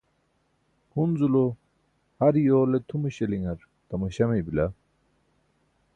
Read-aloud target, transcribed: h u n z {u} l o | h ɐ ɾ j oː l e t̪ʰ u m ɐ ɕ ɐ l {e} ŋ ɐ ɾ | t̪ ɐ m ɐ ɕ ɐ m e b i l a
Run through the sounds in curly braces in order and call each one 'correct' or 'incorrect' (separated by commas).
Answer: correct, incorrect